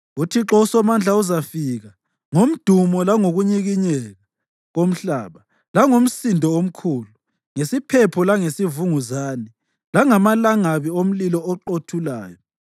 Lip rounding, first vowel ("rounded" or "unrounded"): rounded